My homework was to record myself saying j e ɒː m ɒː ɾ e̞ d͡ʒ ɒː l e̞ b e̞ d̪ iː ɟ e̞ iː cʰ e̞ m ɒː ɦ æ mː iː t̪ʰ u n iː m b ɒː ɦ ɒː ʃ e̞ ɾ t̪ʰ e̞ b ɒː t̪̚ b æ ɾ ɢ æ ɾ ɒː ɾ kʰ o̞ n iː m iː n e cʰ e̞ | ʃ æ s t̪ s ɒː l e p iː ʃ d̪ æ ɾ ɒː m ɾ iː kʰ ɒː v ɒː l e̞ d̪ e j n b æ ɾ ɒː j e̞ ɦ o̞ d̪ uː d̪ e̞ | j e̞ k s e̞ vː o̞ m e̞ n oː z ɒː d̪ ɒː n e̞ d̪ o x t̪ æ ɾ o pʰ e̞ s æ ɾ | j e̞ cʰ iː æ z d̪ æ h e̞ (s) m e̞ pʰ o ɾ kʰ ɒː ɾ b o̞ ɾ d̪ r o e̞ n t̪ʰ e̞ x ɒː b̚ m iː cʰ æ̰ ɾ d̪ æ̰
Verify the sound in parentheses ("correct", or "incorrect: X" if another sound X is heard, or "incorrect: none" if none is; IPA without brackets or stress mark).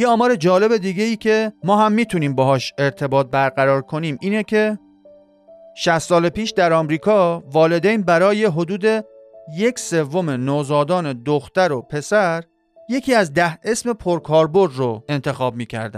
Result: correct